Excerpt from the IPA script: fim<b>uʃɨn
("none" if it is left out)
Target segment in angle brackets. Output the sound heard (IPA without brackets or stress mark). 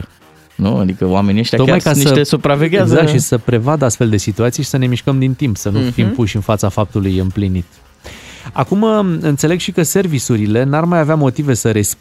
p